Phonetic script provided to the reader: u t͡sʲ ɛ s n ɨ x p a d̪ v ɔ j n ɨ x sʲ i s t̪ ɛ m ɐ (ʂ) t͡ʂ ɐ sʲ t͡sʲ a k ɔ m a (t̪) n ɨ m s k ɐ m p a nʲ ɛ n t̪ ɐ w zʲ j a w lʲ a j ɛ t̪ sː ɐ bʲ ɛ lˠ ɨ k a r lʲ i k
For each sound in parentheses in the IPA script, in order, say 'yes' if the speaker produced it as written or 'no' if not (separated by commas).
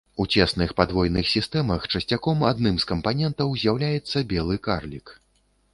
no, no